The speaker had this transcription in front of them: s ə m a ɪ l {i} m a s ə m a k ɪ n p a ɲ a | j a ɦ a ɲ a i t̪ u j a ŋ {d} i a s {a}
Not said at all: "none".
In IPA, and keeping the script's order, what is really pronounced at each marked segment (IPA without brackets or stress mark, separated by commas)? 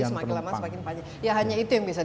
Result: a, b, a